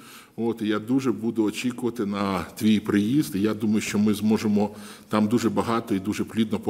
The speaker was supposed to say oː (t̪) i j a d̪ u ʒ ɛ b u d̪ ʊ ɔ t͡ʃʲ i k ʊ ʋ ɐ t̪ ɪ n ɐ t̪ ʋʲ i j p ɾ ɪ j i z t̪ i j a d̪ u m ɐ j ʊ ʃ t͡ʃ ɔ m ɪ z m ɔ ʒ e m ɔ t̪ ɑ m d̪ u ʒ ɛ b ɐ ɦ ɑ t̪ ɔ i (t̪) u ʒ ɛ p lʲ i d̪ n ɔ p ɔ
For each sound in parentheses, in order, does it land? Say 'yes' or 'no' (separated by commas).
yes, no